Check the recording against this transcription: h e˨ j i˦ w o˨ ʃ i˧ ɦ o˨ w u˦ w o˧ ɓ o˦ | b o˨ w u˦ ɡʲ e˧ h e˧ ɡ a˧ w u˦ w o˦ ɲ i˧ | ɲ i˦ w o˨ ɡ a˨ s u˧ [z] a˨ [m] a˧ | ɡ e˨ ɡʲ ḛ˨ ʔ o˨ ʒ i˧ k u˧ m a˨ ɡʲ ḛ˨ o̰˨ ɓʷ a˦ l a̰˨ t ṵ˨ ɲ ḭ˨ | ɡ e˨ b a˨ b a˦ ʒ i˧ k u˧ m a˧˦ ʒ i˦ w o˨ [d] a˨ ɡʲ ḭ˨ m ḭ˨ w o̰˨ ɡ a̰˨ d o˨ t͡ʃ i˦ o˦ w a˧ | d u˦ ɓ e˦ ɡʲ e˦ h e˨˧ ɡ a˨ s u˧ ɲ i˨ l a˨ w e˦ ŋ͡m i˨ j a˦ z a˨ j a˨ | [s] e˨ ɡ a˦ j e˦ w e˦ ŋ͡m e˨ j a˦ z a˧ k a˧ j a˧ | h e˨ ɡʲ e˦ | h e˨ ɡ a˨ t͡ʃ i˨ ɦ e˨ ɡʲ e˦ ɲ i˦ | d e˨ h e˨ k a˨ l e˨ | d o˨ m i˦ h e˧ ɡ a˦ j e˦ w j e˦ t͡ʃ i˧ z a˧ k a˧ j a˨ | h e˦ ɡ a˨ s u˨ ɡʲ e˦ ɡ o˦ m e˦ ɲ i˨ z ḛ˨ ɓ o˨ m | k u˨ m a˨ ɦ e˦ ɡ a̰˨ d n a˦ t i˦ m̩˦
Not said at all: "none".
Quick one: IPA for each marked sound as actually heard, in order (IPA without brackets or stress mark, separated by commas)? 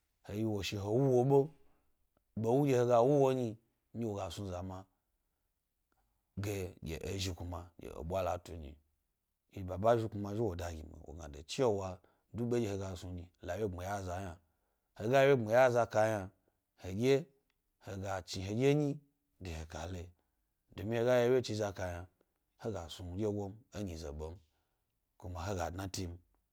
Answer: z, m, d, h